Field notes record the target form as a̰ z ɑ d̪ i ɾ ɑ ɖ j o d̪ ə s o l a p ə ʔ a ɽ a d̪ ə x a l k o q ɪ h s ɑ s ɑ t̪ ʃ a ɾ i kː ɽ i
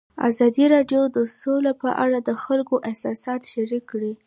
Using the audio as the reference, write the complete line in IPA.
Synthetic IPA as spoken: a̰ z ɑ d̪ i ɾ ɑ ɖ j o d̪ ə s o l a p ə ʔ a ɽ a d̪ ə x a l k o ʔ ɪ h s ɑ s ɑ t̪ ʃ a ɾ i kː ɽ i